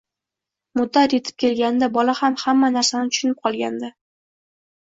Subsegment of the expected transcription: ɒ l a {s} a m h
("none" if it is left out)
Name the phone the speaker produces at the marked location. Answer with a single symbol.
h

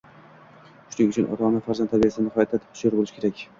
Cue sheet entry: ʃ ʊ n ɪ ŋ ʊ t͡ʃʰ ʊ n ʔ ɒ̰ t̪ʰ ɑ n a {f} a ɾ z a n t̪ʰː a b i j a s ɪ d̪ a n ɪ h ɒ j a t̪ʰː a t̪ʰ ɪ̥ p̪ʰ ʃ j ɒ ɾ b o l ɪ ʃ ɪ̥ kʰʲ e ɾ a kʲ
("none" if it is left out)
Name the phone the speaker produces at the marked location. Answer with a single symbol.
f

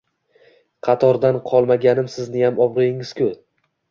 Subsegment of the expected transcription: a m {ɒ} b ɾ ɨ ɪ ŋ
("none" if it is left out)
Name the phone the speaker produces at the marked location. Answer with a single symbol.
ɒ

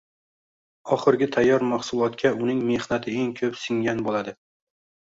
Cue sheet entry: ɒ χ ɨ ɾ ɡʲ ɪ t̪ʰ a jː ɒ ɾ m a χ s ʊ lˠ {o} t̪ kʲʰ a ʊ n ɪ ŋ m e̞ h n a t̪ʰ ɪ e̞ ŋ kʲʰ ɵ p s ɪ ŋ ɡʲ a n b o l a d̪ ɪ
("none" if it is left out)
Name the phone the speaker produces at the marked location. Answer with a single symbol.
ɒ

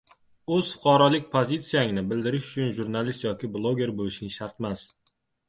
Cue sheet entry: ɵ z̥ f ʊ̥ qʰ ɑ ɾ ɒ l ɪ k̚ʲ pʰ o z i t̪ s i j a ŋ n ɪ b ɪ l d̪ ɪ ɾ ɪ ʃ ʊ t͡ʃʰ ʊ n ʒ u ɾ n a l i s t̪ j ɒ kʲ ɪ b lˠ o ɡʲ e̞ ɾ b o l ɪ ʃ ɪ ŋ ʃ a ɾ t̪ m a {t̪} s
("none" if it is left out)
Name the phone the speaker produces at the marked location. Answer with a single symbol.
none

